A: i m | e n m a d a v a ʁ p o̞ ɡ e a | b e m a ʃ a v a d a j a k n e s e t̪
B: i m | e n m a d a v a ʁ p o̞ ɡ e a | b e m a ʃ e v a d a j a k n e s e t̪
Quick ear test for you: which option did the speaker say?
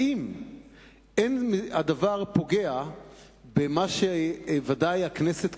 B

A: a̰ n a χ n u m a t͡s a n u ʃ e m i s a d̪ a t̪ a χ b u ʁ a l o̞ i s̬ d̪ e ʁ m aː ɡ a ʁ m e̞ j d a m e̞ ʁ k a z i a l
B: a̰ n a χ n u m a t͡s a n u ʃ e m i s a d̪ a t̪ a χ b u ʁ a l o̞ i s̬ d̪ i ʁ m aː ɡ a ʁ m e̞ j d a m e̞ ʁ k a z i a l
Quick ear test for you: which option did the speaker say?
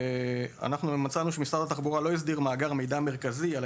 B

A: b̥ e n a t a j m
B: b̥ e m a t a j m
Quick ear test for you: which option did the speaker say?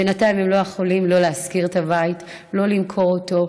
A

